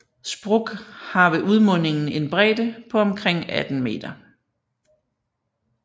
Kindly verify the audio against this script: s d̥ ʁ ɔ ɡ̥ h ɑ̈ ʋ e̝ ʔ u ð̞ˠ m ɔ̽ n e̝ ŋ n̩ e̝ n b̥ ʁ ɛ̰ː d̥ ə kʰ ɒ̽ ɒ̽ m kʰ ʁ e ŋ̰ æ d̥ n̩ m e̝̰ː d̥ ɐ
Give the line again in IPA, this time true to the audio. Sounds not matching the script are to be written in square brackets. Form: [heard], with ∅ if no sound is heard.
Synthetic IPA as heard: s [b̥] ʁ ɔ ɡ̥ h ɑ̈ ʋ e̝ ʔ u ð̞ˠ m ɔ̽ n e̝ ŋ n̩ e̝ n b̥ ʁ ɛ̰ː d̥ ə [pʰ] ɒ̽ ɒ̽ m kʰ ʁ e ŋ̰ æ d̥ n̩ m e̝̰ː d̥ ɐ

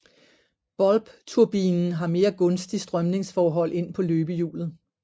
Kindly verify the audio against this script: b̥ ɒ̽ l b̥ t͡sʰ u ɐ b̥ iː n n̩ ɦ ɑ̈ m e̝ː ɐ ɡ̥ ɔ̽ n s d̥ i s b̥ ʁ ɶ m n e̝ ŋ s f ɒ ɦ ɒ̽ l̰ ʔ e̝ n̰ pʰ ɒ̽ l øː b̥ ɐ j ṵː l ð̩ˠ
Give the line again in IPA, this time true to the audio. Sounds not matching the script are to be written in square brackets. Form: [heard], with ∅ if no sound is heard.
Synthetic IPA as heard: b̥ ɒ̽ l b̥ t͡sʰ u ɐ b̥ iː n n̩ ɦ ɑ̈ m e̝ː ɐ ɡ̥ ɔ̽ n s d̥ i s [d̥] ʁ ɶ m n e̝ ŋ s f [ɒː] ɦ ɒ̽ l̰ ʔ e̝ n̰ pʰ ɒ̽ l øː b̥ [ə] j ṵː l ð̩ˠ

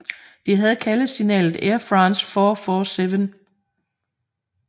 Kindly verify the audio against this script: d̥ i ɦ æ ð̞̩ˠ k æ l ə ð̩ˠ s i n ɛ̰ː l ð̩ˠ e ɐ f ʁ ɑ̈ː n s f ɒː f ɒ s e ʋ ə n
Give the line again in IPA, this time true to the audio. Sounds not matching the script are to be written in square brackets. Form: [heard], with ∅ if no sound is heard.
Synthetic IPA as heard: d̥ i ɦ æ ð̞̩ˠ [kʰ] æ l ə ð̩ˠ s i n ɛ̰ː l ð̩ˠ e ɐ f ʁ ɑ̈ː n s f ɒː f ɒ s e ʋ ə n

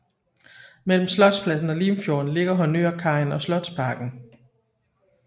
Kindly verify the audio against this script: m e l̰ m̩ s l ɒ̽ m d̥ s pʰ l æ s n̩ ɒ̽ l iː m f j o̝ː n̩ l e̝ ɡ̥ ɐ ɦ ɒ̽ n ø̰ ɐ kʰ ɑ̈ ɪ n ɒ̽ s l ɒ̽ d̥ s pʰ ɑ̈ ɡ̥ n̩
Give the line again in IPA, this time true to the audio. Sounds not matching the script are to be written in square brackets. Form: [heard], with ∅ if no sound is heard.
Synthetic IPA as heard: m e l̰ m̩ s l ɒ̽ [∅] d̥ s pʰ l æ s n̩ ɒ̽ l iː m f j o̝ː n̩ l e̝ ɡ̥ ɐ ɦ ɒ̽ n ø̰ ɐ kʰ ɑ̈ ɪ n ɒ̽ s l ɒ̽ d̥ s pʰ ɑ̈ ɡ̥ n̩

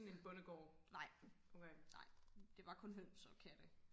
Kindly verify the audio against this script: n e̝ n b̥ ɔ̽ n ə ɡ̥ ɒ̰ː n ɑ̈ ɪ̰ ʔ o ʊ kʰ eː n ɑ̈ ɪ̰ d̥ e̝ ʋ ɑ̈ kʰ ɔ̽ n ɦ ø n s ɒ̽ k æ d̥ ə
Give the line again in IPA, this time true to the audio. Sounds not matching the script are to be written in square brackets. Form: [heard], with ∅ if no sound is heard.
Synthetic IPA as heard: n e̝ n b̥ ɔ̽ n ə ɡ̥ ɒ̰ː n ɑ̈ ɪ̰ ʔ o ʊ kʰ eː n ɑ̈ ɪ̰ d̥ e̝ ʋ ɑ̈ kʰ ɔ̽ n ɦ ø n s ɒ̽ [kʰ] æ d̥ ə

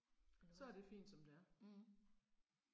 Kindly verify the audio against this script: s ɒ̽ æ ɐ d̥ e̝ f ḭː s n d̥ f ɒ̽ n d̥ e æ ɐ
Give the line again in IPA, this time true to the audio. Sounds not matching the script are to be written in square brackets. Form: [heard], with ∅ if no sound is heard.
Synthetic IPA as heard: s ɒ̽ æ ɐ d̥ e̝ f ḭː [∅] n d̥ [s] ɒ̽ [m] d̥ e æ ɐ

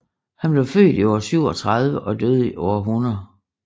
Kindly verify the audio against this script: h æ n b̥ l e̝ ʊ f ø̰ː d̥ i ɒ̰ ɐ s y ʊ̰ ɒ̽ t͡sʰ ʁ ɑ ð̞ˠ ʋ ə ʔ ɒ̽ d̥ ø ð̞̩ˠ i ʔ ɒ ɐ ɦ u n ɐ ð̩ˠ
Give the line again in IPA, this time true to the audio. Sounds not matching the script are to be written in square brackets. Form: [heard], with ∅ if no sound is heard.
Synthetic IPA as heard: h æ n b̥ l e̝ ʊ f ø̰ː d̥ i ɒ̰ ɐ s y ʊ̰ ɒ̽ t͡sʰ ʁ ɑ ð̞ˠ ʋ ə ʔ ɒ̽ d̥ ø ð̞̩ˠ i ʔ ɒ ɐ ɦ u n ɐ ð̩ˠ

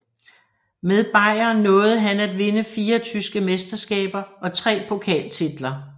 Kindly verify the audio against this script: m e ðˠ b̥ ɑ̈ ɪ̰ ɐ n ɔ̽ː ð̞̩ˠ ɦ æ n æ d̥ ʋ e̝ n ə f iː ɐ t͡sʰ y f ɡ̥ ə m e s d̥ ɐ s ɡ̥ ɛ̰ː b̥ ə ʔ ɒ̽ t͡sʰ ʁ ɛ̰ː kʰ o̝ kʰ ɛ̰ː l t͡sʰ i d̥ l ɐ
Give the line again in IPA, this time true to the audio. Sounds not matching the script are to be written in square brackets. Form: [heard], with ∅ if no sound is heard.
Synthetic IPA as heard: m e ðˠ b̥ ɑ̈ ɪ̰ ɐ n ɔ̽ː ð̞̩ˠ ɦ æ n æ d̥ ʋ e̝ n ə f iː ɐ t͡sʰ y [s] ɡ̥ ə m e s d̥ ɐ s ɡ̥ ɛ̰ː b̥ [ɐ] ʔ ɒ̽ t͡sʰ ʁ ɛ̰ː [pʰ] o̝ kʰ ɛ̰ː l t͡sʰ i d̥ l ɐ

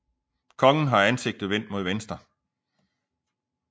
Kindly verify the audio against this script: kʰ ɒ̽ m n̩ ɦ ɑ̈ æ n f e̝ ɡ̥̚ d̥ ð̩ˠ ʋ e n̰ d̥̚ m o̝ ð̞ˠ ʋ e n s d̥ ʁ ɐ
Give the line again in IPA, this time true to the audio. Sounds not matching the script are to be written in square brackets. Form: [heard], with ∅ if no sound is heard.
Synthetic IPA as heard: kʰ ɒ̽ [ŋ] n̩ ɦ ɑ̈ æ n [s] e̝ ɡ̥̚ d̥ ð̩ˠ ʋ e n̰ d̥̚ m o̝ ð̞ˠ ʋ e n s d̥ ʁ ɐ

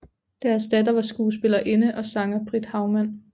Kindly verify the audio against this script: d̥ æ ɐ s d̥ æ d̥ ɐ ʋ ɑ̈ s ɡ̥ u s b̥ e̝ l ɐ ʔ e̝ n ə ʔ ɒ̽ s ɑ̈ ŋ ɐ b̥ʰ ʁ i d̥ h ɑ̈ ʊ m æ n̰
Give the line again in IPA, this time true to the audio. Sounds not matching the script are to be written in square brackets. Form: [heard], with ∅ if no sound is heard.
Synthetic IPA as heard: d̥ æ ɐ s d̥ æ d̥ ɐ ʋ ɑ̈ s ɡ̥ [uː] s b̥ e̝ l ɐ ʔ e̝ n ə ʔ ɒ̽ s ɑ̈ ŋ ɐ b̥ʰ ʁ i d̥ h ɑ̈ ʊ m æ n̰

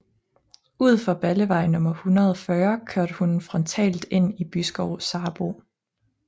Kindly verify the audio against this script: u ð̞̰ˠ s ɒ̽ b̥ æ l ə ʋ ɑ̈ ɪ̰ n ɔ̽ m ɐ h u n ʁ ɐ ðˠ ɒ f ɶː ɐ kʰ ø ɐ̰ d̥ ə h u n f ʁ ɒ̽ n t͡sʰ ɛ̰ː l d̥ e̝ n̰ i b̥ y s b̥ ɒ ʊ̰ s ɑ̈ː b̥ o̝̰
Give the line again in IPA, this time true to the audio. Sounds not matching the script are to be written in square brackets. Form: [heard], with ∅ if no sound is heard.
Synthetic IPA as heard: u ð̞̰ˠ [f] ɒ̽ b̥ æ l ə ʋ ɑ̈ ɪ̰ n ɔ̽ m ɐ h u n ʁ ɐ ðˠ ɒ f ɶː ɐ kʰ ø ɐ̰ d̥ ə h u n f ʁ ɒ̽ n t͡sʰ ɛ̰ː l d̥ e̝ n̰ i b̥ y s [ɡ̥] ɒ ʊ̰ s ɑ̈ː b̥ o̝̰

